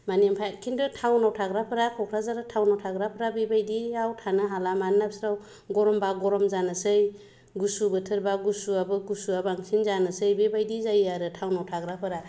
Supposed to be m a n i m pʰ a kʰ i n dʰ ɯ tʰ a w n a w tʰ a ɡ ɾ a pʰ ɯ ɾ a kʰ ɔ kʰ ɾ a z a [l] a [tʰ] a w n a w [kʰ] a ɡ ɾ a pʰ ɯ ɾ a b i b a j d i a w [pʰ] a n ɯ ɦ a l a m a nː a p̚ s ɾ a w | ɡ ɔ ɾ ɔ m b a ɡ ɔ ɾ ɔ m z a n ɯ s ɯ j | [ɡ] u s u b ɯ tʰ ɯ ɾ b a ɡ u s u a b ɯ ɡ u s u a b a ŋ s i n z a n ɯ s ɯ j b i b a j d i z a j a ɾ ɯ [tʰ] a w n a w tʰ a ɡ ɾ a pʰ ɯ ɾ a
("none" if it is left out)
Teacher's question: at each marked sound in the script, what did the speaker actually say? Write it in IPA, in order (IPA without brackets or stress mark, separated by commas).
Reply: ɾ, tʰ, tʰ, tʰ, ɡ, tʰ